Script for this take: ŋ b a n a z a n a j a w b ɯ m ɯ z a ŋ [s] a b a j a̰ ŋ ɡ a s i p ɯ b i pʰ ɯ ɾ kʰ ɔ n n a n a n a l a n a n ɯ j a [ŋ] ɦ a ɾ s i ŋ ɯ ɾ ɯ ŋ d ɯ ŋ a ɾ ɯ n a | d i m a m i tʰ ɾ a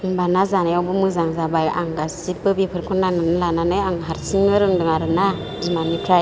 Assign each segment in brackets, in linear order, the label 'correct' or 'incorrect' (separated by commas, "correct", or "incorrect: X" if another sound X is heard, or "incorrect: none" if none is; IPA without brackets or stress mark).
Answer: incorrect: z, correct